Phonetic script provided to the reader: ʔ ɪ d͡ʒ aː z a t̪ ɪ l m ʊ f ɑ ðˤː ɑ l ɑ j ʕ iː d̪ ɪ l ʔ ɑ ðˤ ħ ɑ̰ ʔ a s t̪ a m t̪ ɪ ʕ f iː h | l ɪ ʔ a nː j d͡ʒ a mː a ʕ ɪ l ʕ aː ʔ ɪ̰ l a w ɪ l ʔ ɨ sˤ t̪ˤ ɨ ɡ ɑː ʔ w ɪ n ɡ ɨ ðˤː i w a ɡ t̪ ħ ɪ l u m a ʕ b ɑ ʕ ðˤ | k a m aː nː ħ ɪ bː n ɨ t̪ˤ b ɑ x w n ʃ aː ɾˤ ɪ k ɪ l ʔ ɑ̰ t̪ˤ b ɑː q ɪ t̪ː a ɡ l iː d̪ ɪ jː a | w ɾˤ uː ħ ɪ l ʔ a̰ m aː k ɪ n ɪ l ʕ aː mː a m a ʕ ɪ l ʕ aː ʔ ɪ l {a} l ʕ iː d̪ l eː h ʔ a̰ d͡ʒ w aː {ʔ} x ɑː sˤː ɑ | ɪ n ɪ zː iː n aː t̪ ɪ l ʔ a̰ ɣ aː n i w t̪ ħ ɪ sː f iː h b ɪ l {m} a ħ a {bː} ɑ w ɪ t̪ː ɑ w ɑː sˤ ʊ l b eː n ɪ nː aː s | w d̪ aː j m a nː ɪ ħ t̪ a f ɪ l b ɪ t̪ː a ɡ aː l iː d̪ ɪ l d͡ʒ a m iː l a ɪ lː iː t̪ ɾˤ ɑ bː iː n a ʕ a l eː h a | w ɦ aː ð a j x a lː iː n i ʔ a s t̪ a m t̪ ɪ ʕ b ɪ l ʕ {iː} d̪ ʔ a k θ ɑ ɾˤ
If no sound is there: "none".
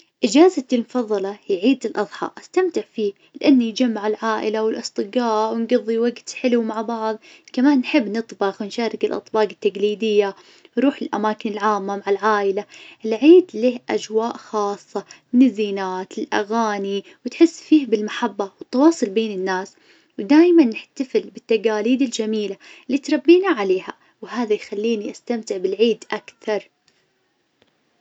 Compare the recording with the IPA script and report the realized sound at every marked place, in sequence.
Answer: a, ʔ, m, bː, iː

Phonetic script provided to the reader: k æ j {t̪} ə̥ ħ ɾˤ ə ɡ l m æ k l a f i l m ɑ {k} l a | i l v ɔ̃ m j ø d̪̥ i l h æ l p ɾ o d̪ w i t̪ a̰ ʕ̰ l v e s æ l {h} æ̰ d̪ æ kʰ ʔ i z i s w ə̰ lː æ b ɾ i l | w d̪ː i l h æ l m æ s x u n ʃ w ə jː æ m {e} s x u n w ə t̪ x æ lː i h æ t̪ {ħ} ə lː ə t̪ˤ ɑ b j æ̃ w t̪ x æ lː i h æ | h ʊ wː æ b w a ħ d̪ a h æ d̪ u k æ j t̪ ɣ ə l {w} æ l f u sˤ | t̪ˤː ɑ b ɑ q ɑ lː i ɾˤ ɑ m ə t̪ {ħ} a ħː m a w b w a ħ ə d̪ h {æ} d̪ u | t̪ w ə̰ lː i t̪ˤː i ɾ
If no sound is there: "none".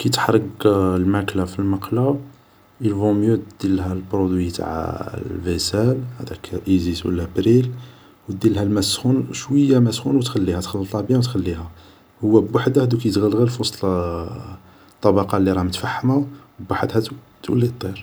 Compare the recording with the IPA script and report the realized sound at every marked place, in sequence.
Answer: t̪, q, h, æ, x, ɣ, f, æ

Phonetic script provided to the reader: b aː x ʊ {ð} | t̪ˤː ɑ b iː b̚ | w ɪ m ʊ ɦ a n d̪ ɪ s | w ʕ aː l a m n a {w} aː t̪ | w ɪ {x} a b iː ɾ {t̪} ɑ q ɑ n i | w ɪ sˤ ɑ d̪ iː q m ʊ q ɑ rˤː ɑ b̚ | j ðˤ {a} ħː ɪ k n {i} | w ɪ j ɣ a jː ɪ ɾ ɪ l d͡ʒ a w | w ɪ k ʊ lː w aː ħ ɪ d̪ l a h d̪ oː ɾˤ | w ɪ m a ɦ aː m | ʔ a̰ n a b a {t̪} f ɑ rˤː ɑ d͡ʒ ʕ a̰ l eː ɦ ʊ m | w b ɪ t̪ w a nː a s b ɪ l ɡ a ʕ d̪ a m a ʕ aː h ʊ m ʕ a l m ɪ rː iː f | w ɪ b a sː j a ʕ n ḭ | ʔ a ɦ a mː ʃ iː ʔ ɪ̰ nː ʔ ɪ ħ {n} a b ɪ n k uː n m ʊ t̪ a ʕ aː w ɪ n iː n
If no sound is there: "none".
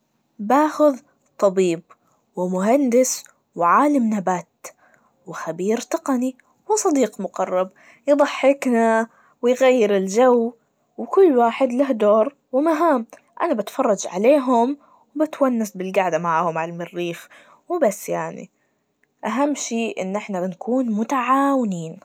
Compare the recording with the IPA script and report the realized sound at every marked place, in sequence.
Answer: ð, b, x, t̪, ɑ, a, t̪, n

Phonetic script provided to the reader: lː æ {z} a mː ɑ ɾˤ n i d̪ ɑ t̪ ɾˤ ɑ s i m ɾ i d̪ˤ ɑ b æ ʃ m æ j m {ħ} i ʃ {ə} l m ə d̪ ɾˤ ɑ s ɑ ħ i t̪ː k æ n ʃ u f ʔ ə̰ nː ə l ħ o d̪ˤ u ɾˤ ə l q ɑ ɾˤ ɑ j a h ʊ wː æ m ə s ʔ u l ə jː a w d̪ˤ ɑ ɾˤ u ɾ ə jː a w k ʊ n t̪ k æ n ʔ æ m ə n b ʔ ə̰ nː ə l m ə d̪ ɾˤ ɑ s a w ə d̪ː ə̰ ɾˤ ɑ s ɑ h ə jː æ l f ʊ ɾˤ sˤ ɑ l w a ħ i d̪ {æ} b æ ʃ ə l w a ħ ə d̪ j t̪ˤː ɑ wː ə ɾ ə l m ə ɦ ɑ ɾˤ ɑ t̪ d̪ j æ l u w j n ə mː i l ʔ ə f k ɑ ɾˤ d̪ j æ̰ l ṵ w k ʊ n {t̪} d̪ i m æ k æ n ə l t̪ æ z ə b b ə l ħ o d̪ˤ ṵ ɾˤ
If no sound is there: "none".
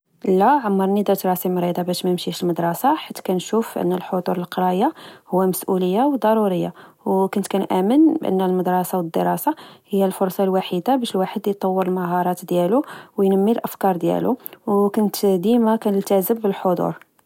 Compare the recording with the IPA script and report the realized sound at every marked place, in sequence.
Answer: ʕ, ʃ, ə, a, t̪

